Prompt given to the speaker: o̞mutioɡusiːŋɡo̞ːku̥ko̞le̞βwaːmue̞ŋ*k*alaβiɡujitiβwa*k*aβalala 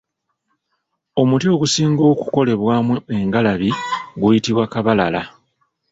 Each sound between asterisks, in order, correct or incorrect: incorrect, correct

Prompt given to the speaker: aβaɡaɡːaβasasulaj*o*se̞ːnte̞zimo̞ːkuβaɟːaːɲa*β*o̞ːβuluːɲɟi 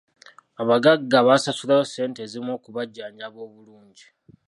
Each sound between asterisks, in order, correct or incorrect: correct, correct

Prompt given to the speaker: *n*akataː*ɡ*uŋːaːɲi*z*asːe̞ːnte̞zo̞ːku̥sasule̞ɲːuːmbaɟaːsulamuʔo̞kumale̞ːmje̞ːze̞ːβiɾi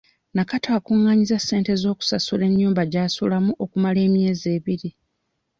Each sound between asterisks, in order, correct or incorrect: correct, incorrect, correct

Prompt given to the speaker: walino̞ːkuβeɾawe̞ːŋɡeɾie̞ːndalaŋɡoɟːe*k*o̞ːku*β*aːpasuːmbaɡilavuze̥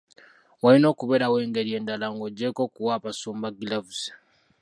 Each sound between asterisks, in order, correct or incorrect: correct, incorrect

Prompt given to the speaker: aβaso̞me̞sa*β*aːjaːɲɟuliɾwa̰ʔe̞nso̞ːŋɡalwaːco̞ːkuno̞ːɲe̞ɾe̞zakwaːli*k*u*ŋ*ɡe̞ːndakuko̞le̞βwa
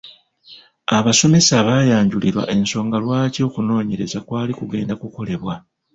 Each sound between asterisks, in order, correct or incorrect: correct, correct, incorrect

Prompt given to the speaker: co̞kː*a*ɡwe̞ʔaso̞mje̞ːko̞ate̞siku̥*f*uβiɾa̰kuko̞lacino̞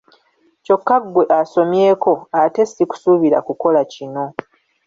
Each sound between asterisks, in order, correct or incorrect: correct, incorrect

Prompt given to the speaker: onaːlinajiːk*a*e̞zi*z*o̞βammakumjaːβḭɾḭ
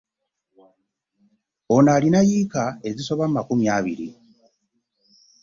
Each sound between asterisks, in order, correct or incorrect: correct, incorrect

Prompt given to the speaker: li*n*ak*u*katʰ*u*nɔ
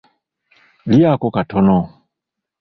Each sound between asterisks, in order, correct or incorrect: incorrect, incorrect, incorrect

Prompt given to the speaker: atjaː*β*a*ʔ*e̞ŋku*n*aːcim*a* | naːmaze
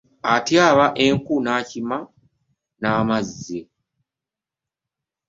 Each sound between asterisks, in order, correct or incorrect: correct, correct, correct, correct

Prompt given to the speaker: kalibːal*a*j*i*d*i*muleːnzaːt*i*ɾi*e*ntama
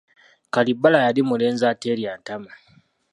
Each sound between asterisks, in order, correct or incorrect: correct, incorrect, correct, incorrect, incorrect

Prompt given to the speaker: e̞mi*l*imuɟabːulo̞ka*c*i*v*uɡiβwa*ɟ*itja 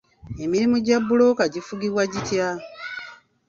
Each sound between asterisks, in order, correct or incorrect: incorrect, incorrect, incorrect, correct

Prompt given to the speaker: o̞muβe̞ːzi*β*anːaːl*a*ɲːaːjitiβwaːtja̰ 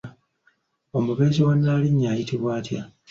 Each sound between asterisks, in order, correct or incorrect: incorrect, incorrect

